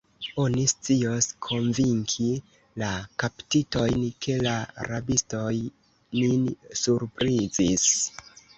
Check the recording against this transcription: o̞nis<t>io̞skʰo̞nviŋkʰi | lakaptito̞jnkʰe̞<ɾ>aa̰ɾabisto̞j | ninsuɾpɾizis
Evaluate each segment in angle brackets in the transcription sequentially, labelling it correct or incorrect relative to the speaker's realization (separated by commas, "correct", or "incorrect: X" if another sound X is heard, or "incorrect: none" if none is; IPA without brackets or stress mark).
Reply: incorrect: t͡s, incorrect: l